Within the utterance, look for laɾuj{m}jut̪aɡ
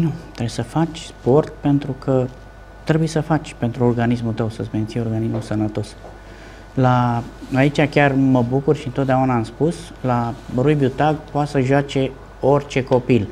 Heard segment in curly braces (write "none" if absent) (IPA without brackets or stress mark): b